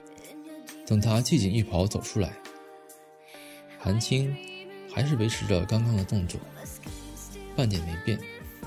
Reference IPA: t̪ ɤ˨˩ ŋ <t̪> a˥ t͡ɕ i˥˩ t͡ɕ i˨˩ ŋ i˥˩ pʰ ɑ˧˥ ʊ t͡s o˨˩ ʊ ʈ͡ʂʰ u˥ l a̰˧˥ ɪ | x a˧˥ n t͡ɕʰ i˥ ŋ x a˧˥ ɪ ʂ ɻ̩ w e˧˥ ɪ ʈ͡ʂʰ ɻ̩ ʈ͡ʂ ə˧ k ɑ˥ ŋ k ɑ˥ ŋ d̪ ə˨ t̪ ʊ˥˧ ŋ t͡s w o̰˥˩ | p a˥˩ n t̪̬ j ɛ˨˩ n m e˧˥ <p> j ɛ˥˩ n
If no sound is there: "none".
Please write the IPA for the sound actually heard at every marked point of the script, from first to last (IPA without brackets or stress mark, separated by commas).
t̪ʰ, p